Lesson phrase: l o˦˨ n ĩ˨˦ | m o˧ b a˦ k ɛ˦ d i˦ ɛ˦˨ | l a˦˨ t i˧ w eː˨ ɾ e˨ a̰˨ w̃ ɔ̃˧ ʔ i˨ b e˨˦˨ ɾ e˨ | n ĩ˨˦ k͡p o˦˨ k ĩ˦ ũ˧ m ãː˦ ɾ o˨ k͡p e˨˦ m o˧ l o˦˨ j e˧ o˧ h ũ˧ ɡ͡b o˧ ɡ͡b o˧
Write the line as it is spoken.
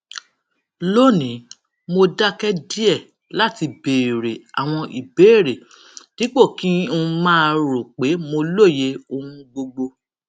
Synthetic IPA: l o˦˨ n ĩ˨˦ | m o˧ d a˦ k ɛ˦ d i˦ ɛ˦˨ | l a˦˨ t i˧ b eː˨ ɾ e˨ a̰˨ w̃ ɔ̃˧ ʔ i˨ b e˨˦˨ ɾ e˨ | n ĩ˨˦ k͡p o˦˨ k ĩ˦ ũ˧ m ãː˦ ɾ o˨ k͡p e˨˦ m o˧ l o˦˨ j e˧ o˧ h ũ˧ ɡ͡b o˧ ɡ͡b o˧